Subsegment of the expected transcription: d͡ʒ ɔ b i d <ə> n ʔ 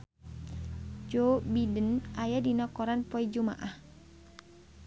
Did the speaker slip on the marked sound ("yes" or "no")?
no